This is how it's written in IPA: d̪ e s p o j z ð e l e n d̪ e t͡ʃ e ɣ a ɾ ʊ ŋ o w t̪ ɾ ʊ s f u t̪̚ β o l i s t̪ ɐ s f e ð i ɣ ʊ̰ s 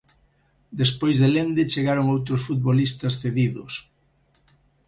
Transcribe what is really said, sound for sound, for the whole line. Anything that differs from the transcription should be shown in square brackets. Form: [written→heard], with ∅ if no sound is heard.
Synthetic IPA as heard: d̪ e s p o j z ð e l e n d̪ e t͡ʃ e ɣ a ɾ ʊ ŋ o w t̪ ɾ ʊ s f u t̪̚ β o l i s t̪ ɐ s [f→θ] e ð i [ɣ→ð] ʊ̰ s